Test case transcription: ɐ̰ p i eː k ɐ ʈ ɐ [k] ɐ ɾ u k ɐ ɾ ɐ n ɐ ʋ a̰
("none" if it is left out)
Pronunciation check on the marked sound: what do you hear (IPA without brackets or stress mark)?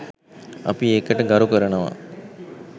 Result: ɡ